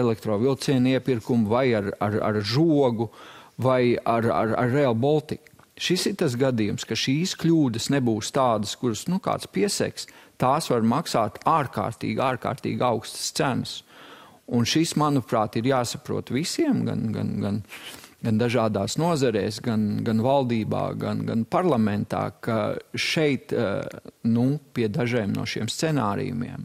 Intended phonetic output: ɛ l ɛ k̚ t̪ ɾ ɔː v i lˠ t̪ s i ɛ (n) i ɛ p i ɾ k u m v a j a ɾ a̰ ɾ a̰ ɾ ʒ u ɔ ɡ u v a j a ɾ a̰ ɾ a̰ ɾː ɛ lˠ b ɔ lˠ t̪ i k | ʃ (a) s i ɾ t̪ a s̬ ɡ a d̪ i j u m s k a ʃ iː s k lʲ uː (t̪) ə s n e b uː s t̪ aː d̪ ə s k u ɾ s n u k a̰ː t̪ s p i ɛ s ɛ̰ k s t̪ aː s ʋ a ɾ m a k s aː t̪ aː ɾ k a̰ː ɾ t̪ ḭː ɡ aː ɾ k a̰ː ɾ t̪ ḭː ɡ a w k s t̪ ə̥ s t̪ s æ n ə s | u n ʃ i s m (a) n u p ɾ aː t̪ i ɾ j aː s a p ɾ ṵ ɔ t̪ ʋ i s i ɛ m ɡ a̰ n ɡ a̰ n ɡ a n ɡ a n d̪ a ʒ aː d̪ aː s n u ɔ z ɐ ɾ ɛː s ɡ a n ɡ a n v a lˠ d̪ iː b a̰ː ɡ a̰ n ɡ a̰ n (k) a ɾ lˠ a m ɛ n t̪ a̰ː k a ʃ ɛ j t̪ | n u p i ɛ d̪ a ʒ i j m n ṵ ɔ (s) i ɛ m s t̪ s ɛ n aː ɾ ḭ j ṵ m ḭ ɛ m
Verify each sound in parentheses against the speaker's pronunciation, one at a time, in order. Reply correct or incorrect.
correct, incorrect, incorrect, correct, incorrect, incorrect

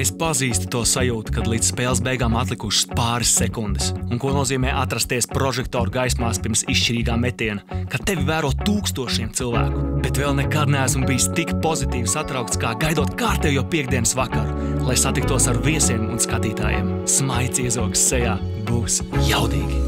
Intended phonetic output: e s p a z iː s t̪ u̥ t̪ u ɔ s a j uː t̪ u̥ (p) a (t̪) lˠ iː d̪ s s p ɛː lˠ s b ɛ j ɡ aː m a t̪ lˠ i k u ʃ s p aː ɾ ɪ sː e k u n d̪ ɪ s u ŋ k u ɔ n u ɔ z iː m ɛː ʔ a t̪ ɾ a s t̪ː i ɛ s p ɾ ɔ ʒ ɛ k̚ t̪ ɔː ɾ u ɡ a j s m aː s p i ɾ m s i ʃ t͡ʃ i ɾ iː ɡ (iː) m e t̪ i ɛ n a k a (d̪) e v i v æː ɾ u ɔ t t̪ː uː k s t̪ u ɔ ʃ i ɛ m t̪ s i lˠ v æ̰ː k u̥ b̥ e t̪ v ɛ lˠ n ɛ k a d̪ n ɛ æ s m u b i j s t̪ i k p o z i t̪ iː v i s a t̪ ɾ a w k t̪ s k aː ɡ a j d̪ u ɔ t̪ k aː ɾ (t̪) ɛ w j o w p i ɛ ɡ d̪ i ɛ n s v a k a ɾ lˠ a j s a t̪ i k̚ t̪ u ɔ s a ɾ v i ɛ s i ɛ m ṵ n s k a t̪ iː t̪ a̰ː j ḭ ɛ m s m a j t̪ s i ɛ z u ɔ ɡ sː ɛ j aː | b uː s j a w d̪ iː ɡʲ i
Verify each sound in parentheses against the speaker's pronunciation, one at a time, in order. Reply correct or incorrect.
incorrect, incorrect, incorrect, incorrect, correct

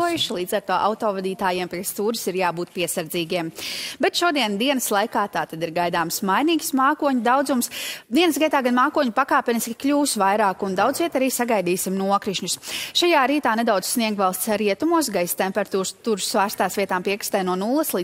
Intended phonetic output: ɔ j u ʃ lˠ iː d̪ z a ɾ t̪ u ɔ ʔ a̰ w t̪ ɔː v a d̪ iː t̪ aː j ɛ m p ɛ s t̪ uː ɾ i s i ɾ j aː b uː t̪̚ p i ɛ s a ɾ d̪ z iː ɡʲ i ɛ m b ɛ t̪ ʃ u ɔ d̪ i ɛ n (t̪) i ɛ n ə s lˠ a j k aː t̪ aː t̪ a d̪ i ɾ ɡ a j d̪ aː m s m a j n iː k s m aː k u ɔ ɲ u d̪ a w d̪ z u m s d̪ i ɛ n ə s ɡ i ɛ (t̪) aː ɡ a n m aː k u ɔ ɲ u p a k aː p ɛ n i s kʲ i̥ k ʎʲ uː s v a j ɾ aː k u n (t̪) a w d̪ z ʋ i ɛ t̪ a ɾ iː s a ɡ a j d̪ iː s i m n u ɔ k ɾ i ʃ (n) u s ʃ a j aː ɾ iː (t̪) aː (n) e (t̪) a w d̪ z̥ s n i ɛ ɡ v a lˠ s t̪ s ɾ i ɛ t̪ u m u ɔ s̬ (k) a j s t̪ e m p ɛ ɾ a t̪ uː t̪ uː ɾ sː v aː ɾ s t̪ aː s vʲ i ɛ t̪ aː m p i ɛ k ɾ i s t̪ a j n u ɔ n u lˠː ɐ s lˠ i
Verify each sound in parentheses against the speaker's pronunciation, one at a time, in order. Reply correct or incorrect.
incorrect, correct, incorrect, incorrect, correct, correct, incorrect, incorrect

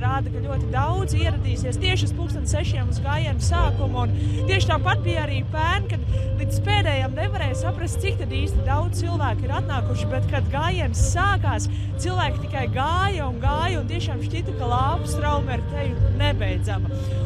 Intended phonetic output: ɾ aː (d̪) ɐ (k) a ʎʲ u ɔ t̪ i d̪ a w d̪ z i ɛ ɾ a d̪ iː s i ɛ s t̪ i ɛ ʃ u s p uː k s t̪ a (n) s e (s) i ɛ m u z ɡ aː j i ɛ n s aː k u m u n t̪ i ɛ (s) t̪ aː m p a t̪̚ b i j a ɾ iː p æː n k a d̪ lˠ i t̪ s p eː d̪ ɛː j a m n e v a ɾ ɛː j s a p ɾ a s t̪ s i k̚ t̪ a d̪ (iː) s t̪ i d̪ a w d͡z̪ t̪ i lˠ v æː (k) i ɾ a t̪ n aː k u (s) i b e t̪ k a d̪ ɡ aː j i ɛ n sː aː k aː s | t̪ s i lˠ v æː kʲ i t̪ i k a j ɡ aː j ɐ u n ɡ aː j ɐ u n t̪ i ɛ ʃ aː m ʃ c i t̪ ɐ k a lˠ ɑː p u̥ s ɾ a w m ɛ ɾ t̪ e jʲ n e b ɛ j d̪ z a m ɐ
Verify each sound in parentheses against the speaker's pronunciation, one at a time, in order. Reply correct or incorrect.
correct, correct, correct, incorrect, incorrect, correct, correct, incorrect

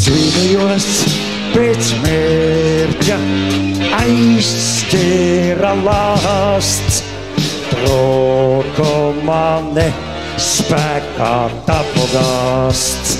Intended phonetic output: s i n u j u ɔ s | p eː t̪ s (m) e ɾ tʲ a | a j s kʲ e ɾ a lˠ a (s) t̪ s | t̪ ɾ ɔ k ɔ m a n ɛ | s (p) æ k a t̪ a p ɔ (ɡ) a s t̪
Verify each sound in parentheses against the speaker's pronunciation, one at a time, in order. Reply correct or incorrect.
correct, correct, correct, correct

